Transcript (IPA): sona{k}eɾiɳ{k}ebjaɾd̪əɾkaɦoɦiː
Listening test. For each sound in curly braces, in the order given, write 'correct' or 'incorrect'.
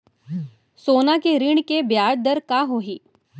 correct, correct

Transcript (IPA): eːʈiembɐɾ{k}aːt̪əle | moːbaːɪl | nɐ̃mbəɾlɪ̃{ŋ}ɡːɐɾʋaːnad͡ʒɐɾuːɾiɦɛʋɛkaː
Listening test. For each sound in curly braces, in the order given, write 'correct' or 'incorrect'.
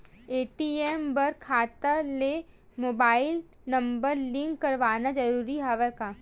incorrect, correct

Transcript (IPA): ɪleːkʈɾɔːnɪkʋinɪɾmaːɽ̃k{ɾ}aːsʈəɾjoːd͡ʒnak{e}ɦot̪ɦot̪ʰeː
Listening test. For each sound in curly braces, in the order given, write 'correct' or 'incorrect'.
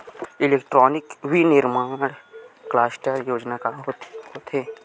incorrect, incorrect

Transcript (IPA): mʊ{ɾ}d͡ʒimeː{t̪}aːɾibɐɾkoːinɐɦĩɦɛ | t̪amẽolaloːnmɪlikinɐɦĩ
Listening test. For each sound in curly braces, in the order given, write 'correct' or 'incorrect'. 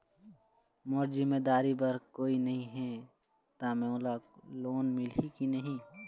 correct, incorrect

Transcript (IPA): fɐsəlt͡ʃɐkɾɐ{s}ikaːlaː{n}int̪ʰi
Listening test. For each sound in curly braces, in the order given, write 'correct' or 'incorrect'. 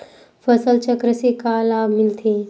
correct, incorrect

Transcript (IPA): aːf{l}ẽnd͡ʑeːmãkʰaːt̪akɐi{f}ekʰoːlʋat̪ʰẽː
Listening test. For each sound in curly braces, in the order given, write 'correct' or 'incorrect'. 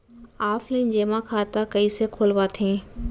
correct, incorrect

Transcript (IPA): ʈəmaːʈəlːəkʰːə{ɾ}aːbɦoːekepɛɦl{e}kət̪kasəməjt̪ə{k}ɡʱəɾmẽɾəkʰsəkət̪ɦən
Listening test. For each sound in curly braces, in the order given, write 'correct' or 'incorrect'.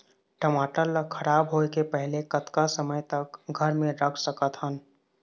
correct, correct, correct

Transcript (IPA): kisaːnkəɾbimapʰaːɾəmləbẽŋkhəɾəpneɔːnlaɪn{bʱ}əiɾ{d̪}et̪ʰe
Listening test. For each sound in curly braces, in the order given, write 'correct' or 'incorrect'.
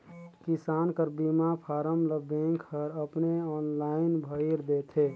correct, correct

